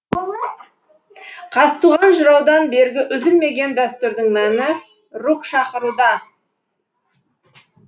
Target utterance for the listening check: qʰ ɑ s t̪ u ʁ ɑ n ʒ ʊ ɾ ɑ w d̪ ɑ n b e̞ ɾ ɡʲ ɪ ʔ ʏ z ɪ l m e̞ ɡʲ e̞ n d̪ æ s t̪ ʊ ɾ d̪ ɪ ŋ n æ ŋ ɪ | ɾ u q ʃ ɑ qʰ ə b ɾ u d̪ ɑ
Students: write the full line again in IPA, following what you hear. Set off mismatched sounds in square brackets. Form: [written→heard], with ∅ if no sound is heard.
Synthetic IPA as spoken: qʰ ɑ s t̪ u ʁ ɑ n ʒ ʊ ɾ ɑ w d̪ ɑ n b e̞ ɾ ɡʲ ɪ ʔ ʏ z ɪ l m e̞ ɡʲ e̞ n d̪ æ s t̪ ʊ ɾ d̪ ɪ ŋ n æ [ŋ→n] ɪ | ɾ u q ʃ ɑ [qʰ→q] ə [b→∅] ɾ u d̪ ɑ